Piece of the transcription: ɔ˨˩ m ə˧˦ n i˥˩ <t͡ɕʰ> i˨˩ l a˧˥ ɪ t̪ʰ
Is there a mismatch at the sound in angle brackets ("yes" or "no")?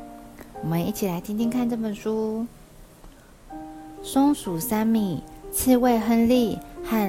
no